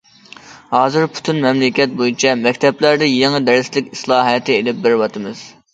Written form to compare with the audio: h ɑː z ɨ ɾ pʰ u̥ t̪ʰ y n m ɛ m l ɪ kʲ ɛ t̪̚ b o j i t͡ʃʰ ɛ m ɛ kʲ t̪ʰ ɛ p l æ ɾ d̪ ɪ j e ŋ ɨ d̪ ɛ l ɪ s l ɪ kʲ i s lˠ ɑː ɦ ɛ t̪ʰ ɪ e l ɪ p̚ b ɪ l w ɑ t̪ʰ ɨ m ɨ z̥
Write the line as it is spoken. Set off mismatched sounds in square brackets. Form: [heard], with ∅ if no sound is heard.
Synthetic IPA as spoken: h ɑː z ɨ ɾ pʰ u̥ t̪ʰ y n m ɛ m l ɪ kʲ ɛ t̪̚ b o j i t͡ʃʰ ɛ m ɛ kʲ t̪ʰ ɛ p l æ ɾ d̪ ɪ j e ŋ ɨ d̪ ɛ [ɾ] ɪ s l ɪ kʲ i s lˠ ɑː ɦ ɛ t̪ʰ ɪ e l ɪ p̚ b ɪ [ɾ] w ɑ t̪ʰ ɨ m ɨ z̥